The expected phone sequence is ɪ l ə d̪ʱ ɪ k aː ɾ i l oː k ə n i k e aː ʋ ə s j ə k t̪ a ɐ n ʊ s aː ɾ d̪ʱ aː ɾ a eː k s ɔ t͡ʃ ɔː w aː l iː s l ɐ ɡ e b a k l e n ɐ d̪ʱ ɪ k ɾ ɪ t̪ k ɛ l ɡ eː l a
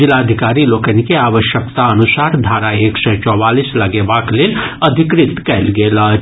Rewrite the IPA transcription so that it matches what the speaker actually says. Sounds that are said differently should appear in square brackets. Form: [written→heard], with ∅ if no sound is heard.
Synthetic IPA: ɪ l [ə→a] d̪ʱ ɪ k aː ɾ i l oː k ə n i k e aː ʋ ə [s→ʃ] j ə k t̪ a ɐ n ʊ s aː ɾ d̪ʱ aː ɾ a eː k s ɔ t͡ʃ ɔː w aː l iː s l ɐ ɡ e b a k l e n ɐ d̪ʱ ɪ k ɾ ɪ t̪ k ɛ l ɡ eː l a